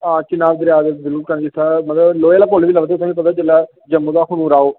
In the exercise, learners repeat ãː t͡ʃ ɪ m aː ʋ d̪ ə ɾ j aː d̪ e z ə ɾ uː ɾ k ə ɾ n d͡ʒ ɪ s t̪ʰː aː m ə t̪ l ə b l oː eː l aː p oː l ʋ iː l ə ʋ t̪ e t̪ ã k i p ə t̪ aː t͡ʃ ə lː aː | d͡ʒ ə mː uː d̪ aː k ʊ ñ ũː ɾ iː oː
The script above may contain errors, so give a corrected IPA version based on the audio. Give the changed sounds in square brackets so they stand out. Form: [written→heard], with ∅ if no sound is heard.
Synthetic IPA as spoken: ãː t͡ʃ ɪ [m→n] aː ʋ d̪ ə ɾ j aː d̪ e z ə ɾ uː ɾ k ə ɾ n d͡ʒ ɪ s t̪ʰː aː m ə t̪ l ə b l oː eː l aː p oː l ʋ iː l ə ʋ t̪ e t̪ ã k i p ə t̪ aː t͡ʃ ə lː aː | d͡ʒ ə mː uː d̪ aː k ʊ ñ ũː ɾ [iː→aː] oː